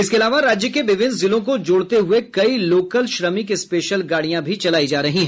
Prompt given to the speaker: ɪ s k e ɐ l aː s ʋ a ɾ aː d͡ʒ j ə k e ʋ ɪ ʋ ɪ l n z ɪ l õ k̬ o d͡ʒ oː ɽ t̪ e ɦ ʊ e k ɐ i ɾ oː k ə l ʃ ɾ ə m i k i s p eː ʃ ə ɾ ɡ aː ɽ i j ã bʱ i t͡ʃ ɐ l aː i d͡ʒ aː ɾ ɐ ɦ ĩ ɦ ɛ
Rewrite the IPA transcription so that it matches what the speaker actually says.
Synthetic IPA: ɪ s k e ɐ l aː ʋ a ɾ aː d͡ʒ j ə k e ʋ ɪ ʋ ɪ n z ɪ l õ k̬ o d͡ʒ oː ɽ t̪ e ɦ ʊ e k ɐ i l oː k ə l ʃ ɾ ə m i k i s p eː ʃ ə l ɡ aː ɽ i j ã bʱ i t͡ʃ ɐ l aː i d͡ʒ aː ɾ ɐ ɦ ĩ ɦ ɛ